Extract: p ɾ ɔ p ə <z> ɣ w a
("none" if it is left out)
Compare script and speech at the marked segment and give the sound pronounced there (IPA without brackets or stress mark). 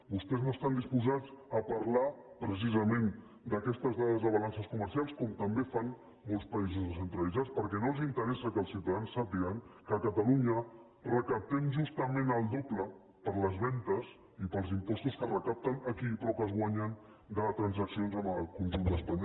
z